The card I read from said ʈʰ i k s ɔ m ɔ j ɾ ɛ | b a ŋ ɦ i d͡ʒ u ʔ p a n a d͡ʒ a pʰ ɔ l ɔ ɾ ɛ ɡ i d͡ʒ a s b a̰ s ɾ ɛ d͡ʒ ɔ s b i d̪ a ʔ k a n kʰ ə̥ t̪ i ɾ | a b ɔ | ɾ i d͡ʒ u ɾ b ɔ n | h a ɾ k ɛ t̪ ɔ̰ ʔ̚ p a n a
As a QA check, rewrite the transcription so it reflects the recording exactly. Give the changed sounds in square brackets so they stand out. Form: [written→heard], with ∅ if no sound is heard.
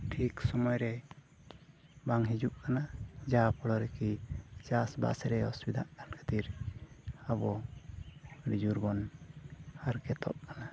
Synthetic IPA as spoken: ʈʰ i k s ɔ m ɔ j ɾ ɛ | b a ŋ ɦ i d͡ʒ u ʔ [p→k] a n a d͡ʒ a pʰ ɔ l ɔ ɾ ɛ [ɡ→k] i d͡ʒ a s b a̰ s ɾ ɛ [d͡ʒ→∅] ɔ s b i d̪ a ʔ k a n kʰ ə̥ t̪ i ɾ | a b ɔ | ɾ i d͡ʒ u ɾ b ɔ n | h a ɾ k ɛ t̪ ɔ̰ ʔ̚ [p→k] a n a